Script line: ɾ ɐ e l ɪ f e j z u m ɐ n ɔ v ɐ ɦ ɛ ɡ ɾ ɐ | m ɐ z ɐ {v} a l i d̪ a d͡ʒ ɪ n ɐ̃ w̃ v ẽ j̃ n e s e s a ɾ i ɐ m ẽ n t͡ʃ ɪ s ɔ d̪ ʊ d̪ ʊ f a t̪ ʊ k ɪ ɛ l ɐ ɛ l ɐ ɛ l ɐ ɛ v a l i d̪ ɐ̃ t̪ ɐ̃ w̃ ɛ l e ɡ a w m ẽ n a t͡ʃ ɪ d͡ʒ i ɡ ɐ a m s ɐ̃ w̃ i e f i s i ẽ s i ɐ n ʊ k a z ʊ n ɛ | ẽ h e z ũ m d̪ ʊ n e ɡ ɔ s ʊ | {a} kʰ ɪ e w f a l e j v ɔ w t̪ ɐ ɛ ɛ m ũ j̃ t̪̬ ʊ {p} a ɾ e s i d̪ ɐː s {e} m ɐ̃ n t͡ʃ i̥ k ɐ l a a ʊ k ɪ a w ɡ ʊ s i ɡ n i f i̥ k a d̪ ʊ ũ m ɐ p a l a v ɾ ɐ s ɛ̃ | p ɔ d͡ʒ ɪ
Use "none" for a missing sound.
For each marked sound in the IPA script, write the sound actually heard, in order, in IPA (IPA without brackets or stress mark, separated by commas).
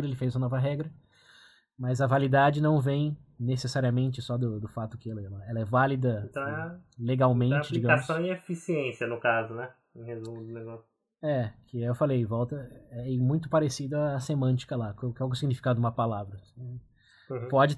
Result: v, ɛ, p, e